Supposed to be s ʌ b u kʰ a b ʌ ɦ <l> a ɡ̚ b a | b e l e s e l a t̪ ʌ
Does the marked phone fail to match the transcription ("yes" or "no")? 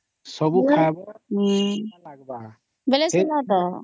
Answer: no